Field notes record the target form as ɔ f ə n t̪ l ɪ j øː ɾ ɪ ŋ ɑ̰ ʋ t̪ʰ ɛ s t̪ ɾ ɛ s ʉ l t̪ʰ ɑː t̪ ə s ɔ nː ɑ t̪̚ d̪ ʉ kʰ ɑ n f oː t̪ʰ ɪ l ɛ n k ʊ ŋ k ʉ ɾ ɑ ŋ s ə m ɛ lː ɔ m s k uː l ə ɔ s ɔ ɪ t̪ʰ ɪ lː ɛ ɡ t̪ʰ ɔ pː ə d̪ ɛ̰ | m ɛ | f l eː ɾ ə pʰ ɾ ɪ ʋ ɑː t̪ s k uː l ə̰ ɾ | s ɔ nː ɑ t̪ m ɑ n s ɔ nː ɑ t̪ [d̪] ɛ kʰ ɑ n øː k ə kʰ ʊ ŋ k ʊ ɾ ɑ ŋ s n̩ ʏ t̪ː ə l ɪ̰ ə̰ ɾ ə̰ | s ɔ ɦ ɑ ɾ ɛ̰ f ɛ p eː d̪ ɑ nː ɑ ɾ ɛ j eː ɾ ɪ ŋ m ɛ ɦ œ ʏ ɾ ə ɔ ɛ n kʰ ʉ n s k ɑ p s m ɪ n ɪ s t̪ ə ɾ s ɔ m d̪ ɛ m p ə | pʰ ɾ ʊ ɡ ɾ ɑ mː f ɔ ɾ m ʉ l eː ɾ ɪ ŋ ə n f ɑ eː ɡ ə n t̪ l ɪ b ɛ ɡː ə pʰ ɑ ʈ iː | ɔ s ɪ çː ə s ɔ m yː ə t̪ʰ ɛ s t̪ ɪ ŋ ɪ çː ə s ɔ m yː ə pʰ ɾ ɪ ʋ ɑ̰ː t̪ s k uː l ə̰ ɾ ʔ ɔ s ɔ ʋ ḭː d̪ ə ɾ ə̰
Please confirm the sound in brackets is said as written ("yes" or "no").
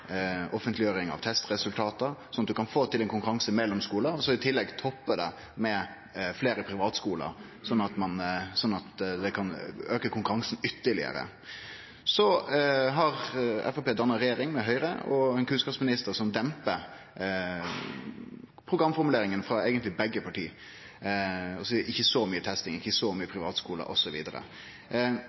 yes